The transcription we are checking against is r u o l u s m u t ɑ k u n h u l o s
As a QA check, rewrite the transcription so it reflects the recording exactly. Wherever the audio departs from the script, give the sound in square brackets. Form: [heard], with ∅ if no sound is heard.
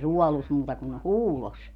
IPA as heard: r u [ɔ] l u s m [uː] t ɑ k u n h [uː] l o s